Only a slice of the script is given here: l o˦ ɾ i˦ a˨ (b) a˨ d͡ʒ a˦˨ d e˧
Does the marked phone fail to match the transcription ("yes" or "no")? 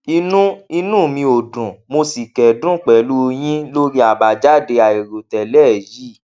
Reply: no